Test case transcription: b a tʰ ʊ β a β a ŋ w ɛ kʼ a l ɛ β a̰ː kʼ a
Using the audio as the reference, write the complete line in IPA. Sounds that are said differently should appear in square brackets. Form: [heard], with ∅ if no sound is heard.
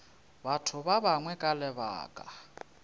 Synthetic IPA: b a tʰ ʊ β a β a ŋ w ɛ kʼ a l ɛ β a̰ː kʼ a